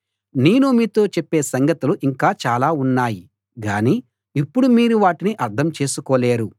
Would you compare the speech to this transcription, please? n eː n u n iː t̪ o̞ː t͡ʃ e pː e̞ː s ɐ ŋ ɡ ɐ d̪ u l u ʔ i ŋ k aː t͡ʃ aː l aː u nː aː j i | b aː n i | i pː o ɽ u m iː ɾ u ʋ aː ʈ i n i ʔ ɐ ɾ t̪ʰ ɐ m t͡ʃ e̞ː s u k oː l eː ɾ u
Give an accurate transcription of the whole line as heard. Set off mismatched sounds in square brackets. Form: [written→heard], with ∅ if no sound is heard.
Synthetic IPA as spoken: n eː n u [n→m] iː t̪ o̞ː t͡ʃ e pː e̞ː s ɐ ŋ ɡ ɐ [d̪→t̪] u l u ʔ i ŋ k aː t͡ʃ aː l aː u nː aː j i | [b→ɡ] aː n i | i pː [o→u] ɽ u m iː ɾ u ʋ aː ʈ i n i ʔ ɐ ɾ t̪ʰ ɐ m t͡ʃ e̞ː s u k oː l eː ɾ u